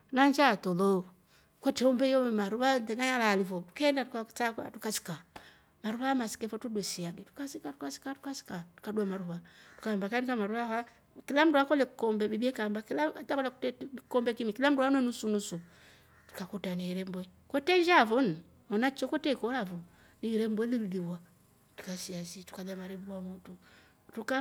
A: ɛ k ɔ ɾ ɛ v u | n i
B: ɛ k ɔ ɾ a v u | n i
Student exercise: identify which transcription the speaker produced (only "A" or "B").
B